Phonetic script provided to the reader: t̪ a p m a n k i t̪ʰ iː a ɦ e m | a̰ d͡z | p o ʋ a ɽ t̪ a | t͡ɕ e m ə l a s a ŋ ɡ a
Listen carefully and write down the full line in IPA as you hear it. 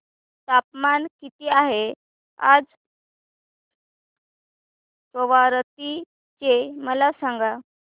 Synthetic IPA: t̪ a p m a n k i t̪ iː a ɦ e | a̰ d͡z | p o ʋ a ɾ t̪ i | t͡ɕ e m ə l a s a ŋ ɡ a